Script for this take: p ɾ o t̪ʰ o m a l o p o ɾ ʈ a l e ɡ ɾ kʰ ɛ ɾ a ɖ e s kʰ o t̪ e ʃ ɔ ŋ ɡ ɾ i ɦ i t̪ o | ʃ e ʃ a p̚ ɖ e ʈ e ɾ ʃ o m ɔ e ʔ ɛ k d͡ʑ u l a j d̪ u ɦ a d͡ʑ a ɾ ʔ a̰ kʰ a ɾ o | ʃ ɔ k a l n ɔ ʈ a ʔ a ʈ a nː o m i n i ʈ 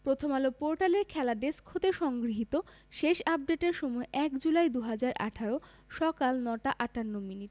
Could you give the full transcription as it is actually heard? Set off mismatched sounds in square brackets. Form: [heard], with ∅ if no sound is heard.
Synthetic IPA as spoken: p ɾ o t̪ʰ o m a l o p o ɾ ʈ a l e [∅] ɾ kʰ ɛ [l] a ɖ e s kʰ o t̪ e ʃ ɔ ŋ ɡ ɾ i ɦ i t̪ o | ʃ e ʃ a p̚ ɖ e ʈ e ɾ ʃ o m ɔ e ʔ ɛ k d͡ʑ u l a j d̪ u ɦ a d͡ʑ a ɾ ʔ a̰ [ʈʰ] a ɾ o | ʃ ɔ k a l n ɔ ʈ a ʔ a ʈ a nː o m i n i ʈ